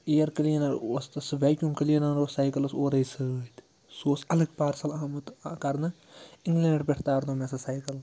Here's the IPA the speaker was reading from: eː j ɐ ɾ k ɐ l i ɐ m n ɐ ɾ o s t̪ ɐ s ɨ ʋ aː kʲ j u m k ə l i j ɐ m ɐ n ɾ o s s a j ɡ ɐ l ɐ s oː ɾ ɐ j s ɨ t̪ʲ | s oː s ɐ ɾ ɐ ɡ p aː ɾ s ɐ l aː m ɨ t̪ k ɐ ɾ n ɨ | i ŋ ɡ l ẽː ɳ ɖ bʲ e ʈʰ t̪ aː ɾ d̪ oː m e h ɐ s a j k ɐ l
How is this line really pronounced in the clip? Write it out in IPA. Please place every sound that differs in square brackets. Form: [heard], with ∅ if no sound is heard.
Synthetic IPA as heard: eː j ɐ ɾ k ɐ l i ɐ [∅] n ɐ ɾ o s t̪ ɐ s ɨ ʋ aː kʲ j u m k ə l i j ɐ [n] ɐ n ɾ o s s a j [k] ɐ l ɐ s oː ɾ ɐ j s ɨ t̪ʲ | s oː s ɐ [l] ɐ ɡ p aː ɾ s ɐ l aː m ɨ t̪ k ɐ ɾ n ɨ | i ŋ ɡ l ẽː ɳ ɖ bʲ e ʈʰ t̪ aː ɾ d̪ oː m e [s] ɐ s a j k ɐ l